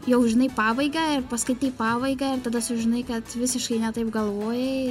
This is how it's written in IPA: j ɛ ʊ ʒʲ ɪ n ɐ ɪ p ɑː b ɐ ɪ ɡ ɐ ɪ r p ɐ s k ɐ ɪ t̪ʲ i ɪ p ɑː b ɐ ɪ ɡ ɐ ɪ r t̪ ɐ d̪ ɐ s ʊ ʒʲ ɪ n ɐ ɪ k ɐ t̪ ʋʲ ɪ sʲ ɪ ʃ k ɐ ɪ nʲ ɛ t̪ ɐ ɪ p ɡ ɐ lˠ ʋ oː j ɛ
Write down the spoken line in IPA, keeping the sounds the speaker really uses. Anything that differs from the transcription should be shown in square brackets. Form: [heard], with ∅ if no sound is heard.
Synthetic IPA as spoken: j ɛ ʊ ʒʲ ɪ n ɐ ɪ p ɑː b ɐ ɪ ɡ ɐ ɪ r p ɐ s k ɐ ɪ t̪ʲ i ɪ p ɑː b ɐ ɪ ɡ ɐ ɪ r t̪ ɐ d̪ ɐ s ʊ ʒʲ ɪ n ɐ ɪ k ɐ t̪ ʋʲ ɪ sʲ ɪ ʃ k ɐ ɪ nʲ ɛ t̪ ɐ ɪ p ɡ ɐ lˠ ʋ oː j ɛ